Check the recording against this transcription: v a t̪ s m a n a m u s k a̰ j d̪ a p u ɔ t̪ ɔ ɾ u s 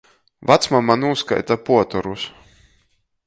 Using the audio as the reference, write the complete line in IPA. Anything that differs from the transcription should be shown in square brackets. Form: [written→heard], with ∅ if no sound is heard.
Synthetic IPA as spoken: v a t̪ s m a [n→m] a [m→n] u s k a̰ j [d̪→t̪] a p u ɔ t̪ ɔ ɾ u s

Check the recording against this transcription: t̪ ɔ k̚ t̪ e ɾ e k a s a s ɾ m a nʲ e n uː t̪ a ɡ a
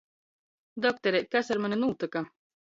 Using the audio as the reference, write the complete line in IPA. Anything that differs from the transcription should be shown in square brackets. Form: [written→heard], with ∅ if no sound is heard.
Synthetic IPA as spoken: [t̪→d̪] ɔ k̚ t̪ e ɾ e k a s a [s→∅] ɾ m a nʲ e n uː t̪ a [ɡ→k] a

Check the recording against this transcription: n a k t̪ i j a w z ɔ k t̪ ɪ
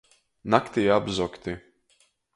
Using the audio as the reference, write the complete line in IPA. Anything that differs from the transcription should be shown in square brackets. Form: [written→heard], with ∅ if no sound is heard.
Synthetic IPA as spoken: n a k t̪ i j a [w→b] z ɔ k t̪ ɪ

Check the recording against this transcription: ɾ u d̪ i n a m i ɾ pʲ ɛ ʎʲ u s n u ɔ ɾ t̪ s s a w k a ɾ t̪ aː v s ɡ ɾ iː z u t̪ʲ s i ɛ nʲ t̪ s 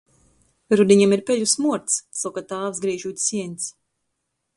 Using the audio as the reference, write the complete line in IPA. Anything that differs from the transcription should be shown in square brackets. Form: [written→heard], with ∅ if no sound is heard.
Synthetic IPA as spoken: ɾ u d̪ i [n→ɲ] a m i ɾ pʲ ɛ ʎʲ u s [n→m] u ɔ ɾ t̪ s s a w k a [ɾ→∅] t̪ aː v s ɡ ɾ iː [z→ʒ] u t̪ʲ s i ɛ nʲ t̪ s

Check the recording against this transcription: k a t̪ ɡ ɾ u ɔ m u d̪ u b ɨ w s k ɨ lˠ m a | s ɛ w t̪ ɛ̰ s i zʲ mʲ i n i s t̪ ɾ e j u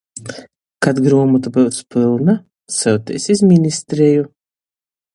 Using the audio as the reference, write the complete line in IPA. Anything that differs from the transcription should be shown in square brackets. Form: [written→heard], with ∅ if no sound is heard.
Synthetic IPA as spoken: k a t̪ ɡ ɾ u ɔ m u [d̪→t̪] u b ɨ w s [k→p] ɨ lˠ [m→n] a | s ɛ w t̪ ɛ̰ s i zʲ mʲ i n i s t̪ ɾ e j u

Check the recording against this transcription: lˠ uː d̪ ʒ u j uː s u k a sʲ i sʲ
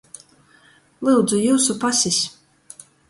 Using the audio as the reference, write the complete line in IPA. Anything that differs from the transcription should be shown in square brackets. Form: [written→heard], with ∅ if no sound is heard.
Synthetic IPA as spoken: lˠ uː d̪ [ʒ→z] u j uː s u [k→p] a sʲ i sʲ

